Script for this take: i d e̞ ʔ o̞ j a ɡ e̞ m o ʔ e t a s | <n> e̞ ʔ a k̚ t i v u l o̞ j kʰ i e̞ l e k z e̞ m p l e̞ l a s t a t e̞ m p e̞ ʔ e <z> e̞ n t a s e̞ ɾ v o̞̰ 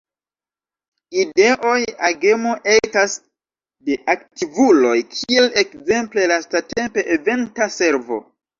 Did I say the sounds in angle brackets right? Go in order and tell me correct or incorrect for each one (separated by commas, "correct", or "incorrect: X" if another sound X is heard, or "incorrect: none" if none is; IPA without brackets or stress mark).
incorrect: d, incorrect: v